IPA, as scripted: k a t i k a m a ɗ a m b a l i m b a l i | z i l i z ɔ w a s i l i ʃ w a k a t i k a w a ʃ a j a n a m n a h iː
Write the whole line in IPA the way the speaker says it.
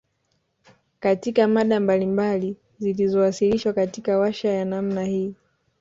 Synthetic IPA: k a t i k a m a ɗ a m b a l i m b a l i | z i l i z ɔ w a s i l i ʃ w a k a t i k a w a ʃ a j a n a m n a h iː